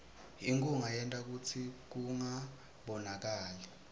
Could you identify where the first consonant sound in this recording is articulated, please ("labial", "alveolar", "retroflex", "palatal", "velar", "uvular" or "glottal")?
velar